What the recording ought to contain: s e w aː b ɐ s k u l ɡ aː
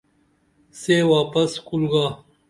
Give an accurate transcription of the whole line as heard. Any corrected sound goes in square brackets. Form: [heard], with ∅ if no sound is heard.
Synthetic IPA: s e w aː [p] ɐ s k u l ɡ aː